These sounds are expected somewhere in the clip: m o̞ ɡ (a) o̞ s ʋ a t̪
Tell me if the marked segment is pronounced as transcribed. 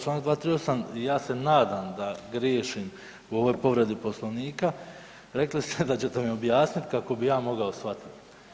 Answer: yes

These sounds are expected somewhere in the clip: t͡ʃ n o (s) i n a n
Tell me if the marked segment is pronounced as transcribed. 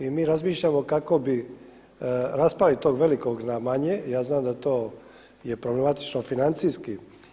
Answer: no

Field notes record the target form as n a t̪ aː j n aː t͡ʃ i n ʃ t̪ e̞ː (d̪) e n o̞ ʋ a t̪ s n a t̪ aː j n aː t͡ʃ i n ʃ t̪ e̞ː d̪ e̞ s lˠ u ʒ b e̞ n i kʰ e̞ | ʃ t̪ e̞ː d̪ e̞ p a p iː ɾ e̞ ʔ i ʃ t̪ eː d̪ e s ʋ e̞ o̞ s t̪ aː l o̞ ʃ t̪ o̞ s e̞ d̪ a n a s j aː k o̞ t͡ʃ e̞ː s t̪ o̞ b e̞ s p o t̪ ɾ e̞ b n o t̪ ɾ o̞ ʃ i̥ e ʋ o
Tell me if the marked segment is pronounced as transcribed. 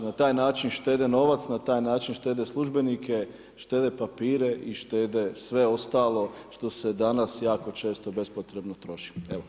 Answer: yes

